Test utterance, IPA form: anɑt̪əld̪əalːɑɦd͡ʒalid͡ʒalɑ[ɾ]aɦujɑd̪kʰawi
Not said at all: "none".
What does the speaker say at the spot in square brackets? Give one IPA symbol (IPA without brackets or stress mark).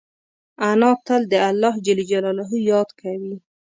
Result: l